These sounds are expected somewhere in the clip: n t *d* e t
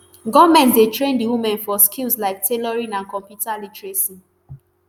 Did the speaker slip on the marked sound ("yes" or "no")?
no